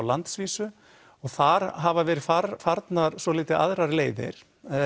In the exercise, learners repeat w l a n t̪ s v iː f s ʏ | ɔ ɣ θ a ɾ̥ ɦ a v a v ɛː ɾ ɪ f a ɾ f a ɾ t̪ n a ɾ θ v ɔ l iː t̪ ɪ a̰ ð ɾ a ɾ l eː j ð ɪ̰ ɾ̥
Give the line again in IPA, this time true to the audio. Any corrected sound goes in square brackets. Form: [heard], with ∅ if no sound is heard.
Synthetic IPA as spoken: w l a n t̪ s v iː [∅] s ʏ | ɔ ɣ θ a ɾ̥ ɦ a v a v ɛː ɾ ɪ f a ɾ f a ɾ t̪ n a ɾ [s] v ɔ l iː t̪ ɪ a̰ ð ɾ a ɾ l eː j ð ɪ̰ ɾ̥

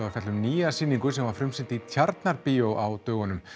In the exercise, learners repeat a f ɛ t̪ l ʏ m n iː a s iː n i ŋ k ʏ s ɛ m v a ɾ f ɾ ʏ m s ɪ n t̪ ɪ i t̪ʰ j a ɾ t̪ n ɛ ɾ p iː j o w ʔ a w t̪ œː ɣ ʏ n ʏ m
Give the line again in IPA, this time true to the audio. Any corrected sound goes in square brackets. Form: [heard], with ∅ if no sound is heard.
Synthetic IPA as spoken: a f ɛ t̪ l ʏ m n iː a s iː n i ŋ k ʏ s ɛ m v a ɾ f ɾ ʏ m s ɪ n t̪ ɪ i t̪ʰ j a ɾ t̪ n [a] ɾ p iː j o w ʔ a w t̪ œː ɣ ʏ n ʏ m

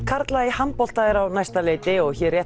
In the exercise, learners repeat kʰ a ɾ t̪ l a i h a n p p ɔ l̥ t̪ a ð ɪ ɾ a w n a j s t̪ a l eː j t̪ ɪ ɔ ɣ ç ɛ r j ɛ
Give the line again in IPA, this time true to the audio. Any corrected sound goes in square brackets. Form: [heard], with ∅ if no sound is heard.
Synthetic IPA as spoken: kʰ a ɾ t̪ l a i h a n p p ɔ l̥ t̪ a ð ɪ ɾ a w n a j s t̪ a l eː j t̪ ɪ ɔ ɣ ç ɛ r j ɛ

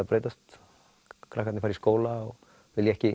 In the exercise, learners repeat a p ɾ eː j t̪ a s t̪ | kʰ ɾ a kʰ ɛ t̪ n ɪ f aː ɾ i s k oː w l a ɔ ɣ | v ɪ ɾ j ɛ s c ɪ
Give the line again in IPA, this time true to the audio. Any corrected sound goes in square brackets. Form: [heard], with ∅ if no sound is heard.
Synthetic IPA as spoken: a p ɾ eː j t̪ a s t̪ | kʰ ɾ a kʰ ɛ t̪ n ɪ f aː ɾ i s k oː w l a ɔ ɣ | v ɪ [l] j ɛ [h] c ɪ

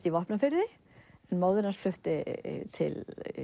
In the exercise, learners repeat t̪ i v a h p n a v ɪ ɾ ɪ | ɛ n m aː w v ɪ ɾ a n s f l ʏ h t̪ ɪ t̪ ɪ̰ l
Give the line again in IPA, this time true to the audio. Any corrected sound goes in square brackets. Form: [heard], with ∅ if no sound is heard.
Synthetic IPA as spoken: t̪ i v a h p n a [f] ɪ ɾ ɪ | ɛ n m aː w [ð] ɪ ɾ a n s f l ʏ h t̪ ɪ [t̪ʰ] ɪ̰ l

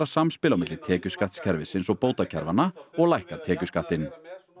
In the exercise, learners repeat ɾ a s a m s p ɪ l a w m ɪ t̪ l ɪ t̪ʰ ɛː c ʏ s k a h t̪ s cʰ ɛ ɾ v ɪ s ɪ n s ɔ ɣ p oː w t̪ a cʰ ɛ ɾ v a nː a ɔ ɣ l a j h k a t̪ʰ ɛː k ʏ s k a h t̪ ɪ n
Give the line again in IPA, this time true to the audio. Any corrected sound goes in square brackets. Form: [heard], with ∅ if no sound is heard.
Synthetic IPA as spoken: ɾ a s a m s p ɪ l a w m ɪ t̪ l ɪ t̪ʰ ɛː c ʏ s k a h t̪ s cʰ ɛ ɾ v ɪ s ɪ n s ɔ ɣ p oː w t̪ a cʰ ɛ ɾ v a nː a ɔ ɣ l a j h k a t̪ʰ ɛː [c] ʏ s k a h t̪ ɪ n

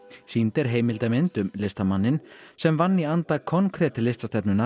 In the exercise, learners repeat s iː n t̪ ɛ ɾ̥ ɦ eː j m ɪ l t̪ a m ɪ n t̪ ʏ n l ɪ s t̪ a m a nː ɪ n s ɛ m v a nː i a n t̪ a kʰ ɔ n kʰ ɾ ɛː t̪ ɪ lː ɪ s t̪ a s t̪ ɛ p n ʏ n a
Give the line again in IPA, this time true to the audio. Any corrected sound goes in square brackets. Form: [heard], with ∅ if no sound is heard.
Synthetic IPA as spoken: s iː n t̪ ɛ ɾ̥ ɦ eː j m ɪ l t̪ a m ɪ n t̪ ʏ [m] l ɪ s t̪ a m a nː ɪ n s ɛ m v a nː i a n t̪ a kʰ ɔ n kʰ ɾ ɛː t̪ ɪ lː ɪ s t̪ a s t̪ ɛ p n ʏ n a

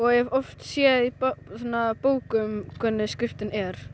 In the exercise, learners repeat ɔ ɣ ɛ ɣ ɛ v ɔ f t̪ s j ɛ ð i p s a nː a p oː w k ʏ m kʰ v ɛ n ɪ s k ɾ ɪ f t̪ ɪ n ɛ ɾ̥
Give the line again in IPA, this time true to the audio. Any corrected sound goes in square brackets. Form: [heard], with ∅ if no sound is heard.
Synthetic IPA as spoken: ɔ ɣ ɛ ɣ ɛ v ɔ f t̪ s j ɛ ð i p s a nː a p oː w k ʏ m kʰ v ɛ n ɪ s k ɾ ɪ f t̪ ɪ n ɛ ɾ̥

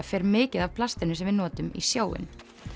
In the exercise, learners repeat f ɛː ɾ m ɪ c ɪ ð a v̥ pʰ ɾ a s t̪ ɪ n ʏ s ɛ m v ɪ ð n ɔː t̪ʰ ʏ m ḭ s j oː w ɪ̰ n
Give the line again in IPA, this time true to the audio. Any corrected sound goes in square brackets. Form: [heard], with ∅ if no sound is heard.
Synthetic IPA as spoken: f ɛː ɾ m [ɪː] c ɪ ð a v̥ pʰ [l] a s t̪ ɪ n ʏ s ɛ m v ɪ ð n ɔː [t̪] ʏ m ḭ s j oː w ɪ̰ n

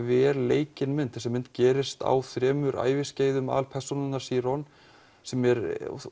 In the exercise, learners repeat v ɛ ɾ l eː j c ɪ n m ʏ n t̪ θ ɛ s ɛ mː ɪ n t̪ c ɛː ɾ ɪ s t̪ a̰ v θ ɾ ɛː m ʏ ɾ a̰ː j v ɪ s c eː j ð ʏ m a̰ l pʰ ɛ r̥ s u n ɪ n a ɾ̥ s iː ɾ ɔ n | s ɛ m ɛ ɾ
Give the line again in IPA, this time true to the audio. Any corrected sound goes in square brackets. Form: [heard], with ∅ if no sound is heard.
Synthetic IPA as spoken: v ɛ ɾ l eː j c ɪ n m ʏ n t̪ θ ɛ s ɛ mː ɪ n t̪ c ɛː ɾ ɪ s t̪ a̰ [w] θ ɾ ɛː m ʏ ɾ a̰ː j v ɪ s c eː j ð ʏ m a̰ l pʰ ɛ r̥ s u n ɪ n a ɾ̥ s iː ɾ ɔ n | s ɛ m ɛ ɾ

